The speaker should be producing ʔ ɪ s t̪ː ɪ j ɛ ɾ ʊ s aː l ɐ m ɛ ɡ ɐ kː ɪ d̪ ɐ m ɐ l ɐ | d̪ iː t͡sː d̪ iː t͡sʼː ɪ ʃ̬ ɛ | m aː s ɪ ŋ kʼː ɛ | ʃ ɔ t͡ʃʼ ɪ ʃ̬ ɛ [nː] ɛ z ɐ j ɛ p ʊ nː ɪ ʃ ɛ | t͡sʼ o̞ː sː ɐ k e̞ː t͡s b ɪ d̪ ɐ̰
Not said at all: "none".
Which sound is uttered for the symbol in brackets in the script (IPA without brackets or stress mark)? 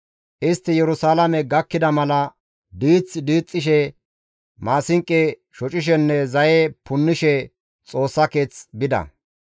nː